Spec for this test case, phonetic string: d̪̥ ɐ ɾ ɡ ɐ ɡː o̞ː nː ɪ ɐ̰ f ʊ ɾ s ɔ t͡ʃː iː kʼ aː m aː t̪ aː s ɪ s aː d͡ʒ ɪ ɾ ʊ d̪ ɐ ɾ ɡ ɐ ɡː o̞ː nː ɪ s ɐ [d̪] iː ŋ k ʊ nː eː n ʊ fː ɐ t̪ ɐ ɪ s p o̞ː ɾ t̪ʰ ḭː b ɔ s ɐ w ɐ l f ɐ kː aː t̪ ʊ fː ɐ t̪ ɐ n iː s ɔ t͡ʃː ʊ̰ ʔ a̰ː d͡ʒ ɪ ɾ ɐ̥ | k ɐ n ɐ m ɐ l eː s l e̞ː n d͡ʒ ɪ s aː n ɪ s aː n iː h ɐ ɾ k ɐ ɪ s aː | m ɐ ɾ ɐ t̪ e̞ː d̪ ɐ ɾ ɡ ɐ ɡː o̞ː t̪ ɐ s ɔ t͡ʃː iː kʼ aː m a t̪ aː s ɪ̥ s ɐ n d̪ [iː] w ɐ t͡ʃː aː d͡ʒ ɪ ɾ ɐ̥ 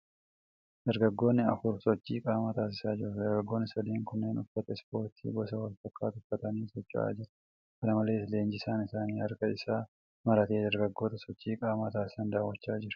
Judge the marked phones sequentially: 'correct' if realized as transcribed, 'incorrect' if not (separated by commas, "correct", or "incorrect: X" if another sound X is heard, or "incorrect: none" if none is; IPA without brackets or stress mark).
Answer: correct, incorrect: aː